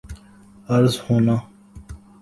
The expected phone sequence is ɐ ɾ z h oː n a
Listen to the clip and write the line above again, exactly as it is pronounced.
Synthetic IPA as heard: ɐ ɾ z h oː n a